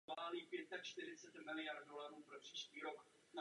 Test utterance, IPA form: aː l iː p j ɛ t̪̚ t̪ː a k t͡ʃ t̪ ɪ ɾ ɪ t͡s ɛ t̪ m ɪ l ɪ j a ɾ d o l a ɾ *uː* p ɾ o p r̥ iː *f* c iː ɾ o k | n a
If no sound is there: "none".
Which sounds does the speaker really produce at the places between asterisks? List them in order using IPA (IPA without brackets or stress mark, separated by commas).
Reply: uː, ʃ